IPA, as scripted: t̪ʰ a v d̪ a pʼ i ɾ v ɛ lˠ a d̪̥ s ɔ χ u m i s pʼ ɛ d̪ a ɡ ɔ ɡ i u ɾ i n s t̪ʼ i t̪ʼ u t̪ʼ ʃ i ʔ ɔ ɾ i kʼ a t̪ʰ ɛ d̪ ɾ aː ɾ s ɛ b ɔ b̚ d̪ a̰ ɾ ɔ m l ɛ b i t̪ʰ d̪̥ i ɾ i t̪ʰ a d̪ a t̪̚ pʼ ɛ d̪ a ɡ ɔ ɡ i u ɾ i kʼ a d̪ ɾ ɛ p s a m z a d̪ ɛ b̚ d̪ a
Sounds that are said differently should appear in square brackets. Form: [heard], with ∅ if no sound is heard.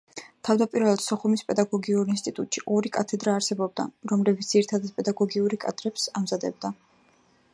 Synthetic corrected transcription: t̪ʰ a v d̪ a pʼ i ɾ v ɛ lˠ a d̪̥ s ɔ χ u m i s pʼ ɛ d̪ a ɡ ɔ ɡ i u ɾ i n s t̪ʼ i t̪ʼ u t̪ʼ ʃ i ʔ ɔ ɾ i kʼ a t̪ʰ ɛ d̪ ɾ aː ɾ s ɛ b ɔ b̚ d̪ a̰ ɾ ɔ m l ɛ b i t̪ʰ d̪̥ i ɾ i t̪ʰ a d̪ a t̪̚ pʼ ɛ d̪ a ɡ ɔ ɡ i u ɾ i kʼ a d̪ ɾ ɛ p s a m z a d̪ ɛ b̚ d̪ a